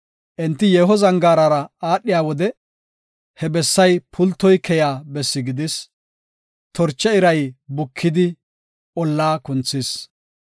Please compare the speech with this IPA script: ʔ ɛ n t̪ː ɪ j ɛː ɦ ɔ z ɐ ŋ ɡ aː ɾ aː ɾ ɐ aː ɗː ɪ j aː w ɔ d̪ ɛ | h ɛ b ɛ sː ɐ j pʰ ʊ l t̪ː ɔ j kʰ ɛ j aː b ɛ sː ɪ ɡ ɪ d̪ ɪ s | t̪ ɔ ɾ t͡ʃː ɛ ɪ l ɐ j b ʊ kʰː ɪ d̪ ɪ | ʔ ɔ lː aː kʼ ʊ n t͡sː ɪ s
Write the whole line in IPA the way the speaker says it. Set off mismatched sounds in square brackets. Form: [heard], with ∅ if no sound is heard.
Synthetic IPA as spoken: ʔ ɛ n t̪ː ɪ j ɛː ɦ ɔ z ɐ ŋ ɡ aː ɾ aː ɾ ɐ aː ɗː ɪ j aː w ɔ d̪ ɛ | h ɛ b ɛ sː ɐ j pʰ ʊ l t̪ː ɔ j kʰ ɛ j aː b ɛ sː ɪ ɡ ɪ d̪ ɪ s | t̪ ɔ ɾ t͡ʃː ɛ ɪ [ɾ] ɐ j b ʊ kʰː ɪ d̪ ɪ | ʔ ɔ lː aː [k] ʊ n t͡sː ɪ s